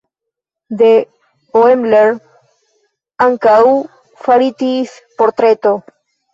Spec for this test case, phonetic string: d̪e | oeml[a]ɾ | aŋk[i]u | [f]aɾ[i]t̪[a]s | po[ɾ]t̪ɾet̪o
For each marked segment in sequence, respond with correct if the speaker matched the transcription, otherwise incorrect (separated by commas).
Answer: incorrect, incorrect, correct, correct, incorrect, correct